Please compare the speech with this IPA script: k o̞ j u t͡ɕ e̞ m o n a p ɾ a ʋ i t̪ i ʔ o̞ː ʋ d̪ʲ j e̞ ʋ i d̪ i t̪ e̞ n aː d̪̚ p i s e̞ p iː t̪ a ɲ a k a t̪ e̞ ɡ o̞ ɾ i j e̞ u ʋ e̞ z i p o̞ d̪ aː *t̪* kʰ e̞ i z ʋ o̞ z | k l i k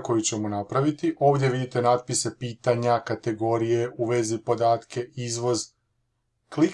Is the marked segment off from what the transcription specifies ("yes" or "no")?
no